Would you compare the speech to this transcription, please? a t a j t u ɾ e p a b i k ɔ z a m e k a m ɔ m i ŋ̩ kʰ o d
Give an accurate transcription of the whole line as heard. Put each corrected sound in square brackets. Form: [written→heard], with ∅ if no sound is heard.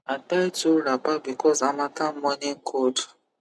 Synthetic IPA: a t a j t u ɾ [e→a] p a b i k ɔ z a m [e→a] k a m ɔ [m→n] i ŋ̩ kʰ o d